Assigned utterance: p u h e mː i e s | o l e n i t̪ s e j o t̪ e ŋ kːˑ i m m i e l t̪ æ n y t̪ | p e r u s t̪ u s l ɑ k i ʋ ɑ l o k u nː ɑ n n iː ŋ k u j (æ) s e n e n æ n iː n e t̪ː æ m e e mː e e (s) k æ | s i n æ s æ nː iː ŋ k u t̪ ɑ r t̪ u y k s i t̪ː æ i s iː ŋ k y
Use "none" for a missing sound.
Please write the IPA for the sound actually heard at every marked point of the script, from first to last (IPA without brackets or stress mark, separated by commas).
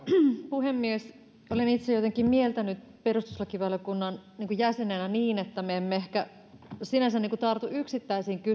æ, h